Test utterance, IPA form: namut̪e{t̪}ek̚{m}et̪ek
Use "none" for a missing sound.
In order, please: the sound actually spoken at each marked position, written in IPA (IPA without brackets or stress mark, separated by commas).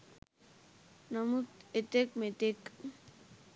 t̪, m